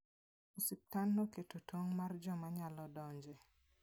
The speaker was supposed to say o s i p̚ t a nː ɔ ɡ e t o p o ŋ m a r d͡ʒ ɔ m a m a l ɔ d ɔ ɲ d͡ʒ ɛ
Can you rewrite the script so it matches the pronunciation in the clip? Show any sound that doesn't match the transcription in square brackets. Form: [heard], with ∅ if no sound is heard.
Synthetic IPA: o s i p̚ t a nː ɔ [k] e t o [t] o ŋ m a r d͡ʒ ɔ m a [ɲ] a l ɔ d ɔ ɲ d͡ʒ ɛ